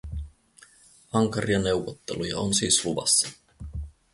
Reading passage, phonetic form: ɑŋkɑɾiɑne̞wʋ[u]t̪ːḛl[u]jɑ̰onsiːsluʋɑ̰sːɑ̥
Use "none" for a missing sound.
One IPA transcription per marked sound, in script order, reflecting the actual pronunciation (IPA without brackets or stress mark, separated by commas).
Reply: o, u